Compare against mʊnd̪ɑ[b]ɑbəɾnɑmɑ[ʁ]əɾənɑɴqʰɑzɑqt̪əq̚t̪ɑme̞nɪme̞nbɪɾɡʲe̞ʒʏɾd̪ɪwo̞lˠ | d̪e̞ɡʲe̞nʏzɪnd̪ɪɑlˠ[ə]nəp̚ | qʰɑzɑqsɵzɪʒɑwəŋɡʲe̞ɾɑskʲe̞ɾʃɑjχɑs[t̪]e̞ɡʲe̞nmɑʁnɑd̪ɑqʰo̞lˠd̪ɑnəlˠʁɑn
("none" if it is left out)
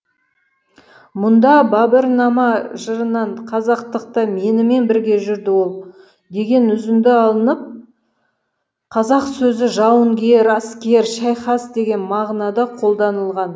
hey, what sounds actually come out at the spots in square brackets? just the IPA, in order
b, ʒ, ə, d̪

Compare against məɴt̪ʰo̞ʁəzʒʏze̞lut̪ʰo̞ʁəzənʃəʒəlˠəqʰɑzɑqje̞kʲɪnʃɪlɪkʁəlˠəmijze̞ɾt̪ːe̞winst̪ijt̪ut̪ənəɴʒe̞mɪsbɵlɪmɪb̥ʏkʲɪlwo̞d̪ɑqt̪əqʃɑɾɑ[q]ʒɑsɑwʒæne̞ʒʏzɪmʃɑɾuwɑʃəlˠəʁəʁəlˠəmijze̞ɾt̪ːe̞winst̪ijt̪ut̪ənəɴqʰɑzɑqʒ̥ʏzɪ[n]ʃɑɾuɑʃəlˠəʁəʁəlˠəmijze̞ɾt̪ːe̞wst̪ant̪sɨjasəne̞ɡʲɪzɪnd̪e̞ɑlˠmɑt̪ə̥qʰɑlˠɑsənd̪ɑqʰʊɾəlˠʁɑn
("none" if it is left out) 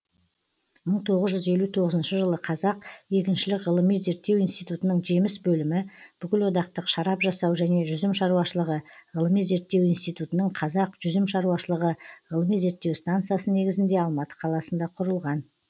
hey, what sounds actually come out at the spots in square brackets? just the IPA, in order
p, m

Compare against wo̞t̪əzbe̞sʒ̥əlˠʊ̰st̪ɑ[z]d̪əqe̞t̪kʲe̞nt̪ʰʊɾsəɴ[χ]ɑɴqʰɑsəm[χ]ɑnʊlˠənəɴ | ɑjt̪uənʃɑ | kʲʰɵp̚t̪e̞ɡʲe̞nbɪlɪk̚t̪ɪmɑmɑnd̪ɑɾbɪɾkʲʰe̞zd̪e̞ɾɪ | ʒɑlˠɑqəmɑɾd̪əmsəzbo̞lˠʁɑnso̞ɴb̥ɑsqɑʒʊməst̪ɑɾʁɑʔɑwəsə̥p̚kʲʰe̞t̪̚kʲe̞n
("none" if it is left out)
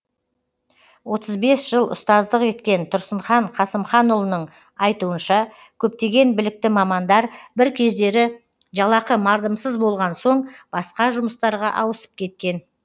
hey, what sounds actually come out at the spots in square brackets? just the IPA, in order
z, χ, χ

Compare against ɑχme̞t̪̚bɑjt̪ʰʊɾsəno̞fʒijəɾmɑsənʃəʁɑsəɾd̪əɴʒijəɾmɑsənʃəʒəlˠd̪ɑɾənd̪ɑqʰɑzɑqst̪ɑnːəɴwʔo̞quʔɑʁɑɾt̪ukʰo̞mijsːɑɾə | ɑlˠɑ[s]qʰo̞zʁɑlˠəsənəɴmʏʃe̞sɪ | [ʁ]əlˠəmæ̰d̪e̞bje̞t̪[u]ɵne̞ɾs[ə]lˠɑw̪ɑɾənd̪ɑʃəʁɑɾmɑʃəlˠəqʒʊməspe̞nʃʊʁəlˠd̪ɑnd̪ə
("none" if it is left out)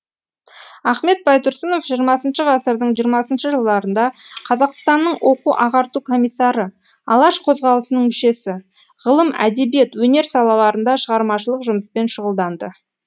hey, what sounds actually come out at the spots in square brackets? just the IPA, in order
ʃ, ʁ, w, ɑ

